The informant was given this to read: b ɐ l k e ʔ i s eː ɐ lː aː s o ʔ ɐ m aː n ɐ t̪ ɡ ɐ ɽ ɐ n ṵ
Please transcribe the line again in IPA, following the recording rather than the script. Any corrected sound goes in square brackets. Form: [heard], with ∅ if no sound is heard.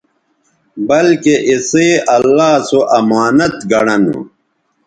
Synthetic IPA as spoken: b ɐ l k e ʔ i s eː ɐ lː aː s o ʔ ɐ m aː n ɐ t̪ ɡ ɐ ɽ ɐ n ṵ